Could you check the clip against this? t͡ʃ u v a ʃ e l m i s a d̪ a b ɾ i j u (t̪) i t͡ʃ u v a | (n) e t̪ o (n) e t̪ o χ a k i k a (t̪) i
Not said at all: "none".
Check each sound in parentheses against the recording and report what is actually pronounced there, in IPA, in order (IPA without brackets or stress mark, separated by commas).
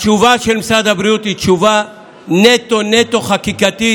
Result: t̪, n, n, t̪